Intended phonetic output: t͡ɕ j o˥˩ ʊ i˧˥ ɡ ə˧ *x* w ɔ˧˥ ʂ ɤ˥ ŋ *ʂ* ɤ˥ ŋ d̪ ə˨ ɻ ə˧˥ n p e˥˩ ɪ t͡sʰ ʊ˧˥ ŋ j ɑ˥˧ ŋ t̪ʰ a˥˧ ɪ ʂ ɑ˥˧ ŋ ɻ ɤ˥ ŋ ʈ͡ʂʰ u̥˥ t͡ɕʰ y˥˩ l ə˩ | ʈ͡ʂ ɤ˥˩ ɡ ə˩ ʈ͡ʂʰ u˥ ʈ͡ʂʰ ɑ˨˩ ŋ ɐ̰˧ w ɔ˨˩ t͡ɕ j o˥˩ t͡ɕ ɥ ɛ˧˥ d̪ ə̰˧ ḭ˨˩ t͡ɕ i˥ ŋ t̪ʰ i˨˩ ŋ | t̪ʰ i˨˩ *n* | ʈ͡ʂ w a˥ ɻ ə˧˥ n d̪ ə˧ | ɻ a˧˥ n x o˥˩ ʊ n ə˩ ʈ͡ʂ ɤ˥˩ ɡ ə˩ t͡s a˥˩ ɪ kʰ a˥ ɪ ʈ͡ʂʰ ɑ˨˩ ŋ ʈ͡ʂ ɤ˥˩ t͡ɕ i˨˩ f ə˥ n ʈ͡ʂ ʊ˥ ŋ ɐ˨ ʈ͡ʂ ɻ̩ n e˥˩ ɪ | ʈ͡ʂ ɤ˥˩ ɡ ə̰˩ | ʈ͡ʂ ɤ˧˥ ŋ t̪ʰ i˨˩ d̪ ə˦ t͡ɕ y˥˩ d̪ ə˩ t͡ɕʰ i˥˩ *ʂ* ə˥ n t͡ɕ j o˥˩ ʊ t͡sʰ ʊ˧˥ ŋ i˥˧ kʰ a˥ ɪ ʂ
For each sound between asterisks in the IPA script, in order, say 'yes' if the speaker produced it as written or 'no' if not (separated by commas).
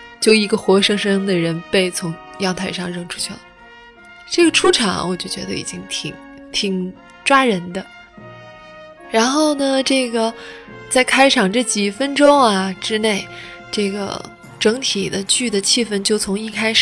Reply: yes, yes, no, no